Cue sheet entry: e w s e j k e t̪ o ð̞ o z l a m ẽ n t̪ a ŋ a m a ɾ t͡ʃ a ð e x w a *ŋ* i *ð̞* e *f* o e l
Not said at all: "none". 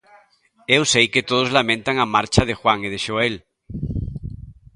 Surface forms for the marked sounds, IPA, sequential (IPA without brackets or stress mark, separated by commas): ŋ, ð̞, ʃ